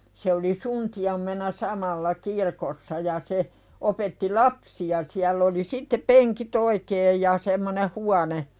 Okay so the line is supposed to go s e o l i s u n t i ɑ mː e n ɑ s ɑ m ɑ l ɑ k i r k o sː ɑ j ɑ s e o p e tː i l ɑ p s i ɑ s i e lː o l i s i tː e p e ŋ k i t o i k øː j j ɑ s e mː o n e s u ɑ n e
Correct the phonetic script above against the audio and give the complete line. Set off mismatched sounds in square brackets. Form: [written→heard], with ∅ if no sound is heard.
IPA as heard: s e o l i s u n t i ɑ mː e n ɑ s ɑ m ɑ [l→lː] ɑ k i r k o sː ɑ j ɑ s e o p e tː i l ɑ p s i ɑ s i [e→æ] lː o l i s i tː e p e ŋ k i t o i k [øː→eː] j j ɑ s e mː o n e [s→h] u ɑ n e